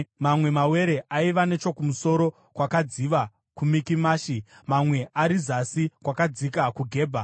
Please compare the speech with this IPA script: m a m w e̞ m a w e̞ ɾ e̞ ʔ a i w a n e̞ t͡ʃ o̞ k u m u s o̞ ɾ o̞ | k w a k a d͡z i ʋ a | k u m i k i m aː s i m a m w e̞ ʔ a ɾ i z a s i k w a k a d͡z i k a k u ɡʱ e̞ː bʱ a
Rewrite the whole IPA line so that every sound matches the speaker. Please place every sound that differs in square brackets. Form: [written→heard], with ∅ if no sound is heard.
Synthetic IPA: m a m w e̞ m a w e̞ ɾ e̞ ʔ a i [w→ʋ] a n e̞ t͡ʃ o̞ k u m u s o̞ ɾ o̞ | k w a k a d͡z i ʋ a | k u m i k i m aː [s→ʃ] i m a m w e̞ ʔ a ɾ i z a s i k w a k a d͡z i k a k u ɡʱ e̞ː bʱ a